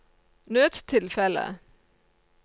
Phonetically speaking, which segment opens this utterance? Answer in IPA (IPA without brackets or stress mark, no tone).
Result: n